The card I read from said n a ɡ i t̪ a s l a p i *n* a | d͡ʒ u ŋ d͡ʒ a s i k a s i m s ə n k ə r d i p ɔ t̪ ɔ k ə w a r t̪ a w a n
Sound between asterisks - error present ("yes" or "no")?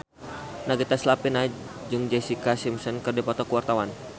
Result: no